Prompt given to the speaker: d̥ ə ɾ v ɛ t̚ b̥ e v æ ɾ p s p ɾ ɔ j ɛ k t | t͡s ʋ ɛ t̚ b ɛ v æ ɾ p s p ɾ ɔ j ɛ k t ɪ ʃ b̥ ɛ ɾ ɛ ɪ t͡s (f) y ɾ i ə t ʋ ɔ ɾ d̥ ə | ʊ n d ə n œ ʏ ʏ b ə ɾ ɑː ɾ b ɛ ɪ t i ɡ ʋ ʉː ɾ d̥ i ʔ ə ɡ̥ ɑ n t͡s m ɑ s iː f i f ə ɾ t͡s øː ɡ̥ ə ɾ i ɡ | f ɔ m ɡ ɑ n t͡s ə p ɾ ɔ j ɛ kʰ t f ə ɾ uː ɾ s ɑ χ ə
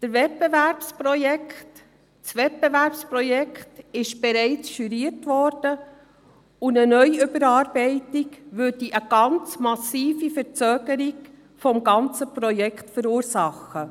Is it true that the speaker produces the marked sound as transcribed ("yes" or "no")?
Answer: no